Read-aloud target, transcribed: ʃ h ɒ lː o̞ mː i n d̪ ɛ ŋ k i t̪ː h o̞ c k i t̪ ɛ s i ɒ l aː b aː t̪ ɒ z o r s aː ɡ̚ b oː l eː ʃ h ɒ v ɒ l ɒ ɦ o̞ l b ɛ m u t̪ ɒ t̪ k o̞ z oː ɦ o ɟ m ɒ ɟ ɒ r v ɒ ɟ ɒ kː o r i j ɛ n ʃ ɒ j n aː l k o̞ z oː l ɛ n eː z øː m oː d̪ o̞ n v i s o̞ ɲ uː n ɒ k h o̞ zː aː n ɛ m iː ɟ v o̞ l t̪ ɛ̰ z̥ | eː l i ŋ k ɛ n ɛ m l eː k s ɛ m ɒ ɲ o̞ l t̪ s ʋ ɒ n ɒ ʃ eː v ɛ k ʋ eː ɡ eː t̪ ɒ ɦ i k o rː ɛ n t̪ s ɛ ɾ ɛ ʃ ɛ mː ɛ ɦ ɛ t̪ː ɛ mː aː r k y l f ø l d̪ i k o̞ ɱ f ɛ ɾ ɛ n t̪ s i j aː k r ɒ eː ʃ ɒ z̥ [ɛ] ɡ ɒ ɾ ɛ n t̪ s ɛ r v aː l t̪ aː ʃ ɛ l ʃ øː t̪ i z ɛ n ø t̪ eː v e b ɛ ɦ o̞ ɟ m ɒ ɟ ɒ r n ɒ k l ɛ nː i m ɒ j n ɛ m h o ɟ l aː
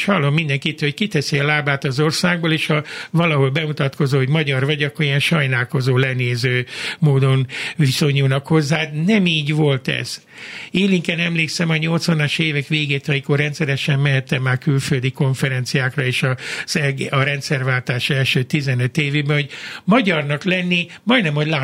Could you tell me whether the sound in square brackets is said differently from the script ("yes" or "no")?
no